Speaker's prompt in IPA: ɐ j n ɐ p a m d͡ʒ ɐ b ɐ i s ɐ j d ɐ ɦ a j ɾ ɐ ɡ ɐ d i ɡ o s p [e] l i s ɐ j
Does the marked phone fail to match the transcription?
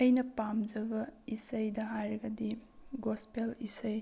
no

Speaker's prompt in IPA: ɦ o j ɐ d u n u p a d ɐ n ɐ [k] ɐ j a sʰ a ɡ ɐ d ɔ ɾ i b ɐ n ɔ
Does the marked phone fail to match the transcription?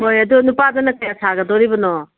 no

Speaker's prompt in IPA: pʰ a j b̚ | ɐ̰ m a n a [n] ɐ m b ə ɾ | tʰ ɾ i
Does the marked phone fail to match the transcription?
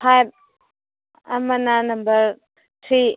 no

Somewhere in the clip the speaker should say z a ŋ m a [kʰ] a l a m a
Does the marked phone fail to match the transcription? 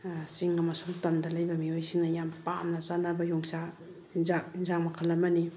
no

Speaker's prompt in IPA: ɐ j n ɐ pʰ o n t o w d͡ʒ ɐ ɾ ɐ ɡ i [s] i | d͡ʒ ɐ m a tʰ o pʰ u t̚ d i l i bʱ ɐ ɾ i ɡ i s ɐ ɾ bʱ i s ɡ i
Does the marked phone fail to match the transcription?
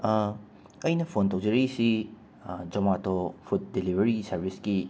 no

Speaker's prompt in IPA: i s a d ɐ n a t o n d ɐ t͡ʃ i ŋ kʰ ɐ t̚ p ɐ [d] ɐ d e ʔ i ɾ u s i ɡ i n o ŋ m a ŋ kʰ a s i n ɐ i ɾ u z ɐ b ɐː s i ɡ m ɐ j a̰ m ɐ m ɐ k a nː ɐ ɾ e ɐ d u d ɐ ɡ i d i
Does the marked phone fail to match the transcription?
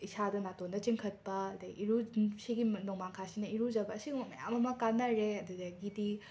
yes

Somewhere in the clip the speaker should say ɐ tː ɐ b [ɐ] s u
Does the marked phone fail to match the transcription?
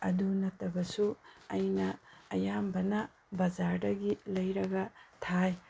no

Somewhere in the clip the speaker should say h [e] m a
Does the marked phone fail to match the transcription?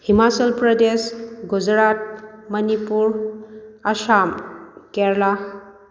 yes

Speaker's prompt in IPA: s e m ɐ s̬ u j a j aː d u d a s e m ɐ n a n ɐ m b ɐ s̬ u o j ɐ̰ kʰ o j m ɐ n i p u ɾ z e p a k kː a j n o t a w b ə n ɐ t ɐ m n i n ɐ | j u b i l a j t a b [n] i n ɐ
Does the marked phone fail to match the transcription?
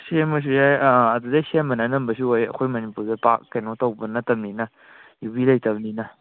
no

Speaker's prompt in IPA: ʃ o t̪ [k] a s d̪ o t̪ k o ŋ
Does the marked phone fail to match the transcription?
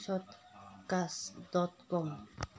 no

